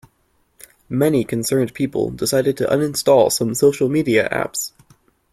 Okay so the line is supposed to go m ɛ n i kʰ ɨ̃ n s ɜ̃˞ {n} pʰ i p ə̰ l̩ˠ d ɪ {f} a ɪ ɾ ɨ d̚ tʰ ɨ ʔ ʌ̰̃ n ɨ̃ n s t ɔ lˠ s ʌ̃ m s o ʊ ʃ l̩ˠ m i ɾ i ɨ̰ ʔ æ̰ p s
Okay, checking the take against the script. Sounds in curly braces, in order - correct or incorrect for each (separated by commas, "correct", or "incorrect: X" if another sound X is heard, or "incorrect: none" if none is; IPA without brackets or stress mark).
correct, incorrect: s